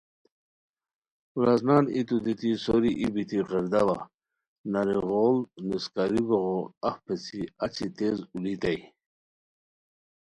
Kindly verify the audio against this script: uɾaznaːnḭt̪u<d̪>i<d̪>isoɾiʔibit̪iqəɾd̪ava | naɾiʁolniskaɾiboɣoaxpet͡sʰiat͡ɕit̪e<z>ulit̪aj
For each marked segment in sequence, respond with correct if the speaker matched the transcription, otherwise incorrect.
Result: correct, incorrect, correct

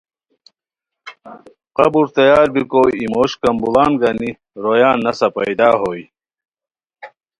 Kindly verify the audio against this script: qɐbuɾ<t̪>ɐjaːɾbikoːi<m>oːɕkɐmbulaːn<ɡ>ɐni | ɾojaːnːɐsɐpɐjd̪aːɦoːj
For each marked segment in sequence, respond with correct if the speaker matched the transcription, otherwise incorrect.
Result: correct, correct, correct

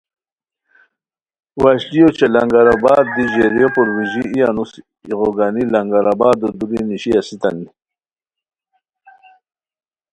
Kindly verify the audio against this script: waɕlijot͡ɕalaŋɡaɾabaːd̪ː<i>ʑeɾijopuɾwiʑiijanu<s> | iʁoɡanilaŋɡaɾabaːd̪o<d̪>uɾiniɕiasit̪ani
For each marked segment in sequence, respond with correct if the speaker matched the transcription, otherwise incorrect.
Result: correct, correct, correct

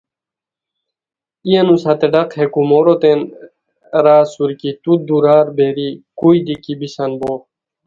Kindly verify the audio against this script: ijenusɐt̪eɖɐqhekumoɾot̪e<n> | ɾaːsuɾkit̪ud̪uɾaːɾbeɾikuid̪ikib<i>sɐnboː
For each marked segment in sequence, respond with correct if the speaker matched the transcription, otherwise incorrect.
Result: correct, correct

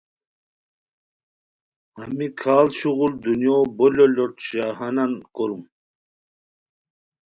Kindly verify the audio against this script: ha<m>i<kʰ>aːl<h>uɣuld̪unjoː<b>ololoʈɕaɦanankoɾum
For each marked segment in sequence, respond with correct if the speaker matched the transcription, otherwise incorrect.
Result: correct, correct, incorrect, correct

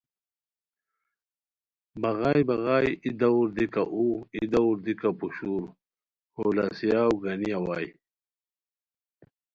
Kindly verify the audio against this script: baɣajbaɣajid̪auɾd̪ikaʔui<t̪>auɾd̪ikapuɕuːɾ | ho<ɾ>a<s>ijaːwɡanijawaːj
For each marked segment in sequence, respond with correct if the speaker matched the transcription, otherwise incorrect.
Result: incorrect, incorrect, correct

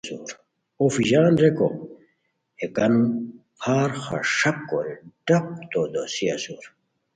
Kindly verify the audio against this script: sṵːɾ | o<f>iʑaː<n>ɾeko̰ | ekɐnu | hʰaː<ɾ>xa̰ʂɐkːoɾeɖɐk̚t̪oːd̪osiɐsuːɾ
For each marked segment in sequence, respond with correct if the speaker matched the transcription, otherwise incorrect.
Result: correct, correct, correct

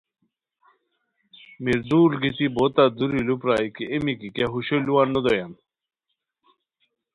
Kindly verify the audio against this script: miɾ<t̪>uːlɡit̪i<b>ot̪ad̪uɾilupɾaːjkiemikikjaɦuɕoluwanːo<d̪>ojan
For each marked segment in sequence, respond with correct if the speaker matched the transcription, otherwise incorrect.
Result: incorrect, correct, correct

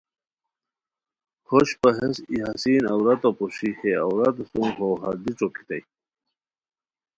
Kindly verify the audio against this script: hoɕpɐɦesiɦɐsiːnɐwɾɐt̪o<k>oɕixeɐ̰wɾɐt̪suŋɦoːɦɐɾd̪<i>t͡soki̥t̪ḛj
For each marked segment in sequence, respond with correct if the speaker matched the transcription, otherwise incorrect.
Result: incorrect, correct

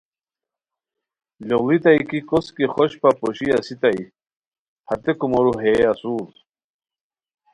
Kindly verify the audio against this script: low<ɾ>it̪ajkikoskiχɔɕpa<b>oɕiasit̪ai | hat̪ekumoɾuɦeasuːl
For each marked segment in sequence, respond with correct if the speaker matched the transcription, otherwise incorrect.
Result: incorrect, incorrect

